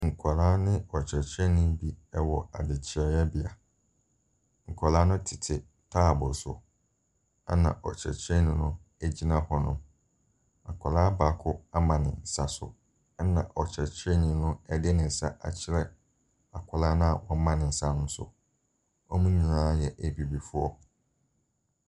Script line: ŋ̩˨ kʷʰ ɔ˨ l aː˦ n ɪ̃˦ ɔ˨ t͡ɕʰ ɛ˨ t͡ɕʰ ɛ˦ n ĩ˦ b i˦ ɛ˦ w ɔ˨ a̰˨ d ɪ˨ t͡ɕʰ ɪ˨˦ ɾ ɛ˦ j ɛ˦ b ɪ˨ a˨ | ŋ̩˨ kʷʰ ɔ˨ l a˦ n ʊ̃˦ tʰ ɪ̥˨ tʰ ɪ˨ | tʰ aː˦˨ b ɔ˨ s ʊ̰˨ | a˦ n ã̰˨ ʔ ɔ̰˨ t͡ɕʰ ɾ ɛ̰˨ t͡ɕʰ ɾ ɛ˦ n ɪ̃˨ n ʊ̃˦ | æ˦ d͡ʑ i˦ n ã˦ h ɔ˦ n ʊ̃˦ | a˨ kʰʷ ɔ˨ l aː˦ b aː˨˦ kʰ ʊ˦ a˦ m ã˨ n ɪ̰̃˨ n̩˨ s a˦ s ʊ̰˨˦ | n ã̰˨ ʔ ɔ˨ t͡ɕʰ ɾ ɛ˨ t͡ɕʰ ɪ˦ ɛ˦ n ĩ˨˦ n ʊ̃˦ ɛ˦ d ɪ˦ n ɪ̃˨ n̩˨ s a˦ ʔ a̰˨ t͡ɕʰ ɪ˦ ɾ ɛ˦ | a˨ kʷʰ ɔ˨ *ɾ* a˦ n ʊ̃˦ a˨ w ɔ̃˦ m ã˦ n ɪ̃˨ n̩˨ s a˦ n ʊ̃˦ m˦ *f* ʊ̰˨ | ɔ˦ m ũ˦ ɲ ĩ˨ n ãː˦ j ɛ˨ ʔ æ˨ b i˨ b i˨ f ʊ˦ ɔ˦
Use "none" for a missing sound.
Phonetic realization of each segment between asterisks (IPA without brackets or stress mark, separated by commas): l, s